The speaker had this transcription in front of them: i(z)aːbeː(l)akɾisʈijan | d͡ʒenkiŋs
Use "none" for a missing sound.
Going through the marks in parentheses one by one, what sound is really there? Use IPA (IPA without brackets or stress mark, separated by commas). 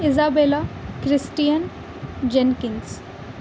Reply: z, l